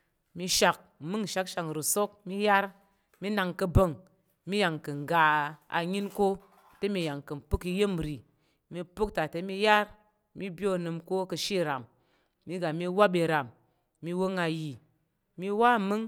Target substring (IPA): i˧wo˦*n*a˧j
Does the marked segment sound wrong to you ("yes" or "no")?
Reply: yes